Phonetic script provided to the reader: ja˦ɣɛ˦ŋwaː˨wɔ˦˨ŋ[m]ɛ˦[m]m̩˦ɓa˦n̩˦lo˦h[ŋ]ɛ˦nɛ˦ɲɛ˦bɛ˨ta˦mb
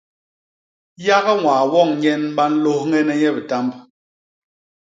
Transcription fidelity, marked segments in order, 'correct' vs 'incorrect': incorrect: ɲ, incorrect: n, correct

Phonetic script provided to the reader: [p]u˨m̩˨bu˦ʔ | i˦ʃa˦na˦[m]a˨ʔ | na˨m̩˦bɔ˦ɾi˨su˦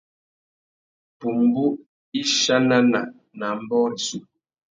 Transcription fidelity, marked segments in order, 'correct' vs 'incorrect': correct, incorrect: n

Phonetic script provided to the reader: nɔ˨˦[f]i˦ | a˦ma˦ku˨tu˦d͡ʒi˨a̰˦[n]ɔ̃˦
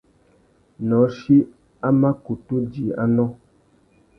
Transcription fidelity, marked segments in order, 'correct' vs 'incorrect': incorrect: ʃ, correct

